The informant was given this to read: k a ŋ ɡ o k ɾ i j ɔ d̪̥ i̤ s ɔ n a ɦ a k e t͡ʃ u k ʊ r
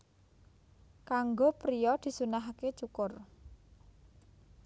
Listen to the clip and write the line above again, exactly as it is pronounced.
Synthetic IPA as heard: k a ŋ ɡ o p ɾ i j ɔ d̪̥ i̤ s u n a ɦ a k e t͡ʃ u k ʊ r